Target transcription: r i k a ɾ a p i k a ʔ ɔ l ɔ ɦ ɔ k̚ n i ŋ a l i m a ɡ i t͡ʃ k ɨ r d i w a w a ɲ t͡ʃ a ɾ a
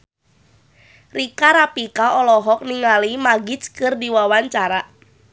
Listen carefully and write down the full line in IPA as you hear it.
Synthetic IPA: r i k a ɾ a p i k a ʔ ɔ l ɔ ɦ ɔ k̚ n i ŋ a l i m a ɡ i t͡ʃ k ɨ r d i w a w a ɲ t͡ʃ a ɾ a